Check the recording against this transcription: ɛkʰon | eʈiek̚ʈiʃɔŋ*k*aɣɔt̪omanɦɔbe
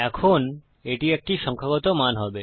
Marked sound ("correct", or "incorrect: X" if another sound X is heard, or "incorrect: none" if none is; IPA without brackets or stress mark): incorrect: kʰ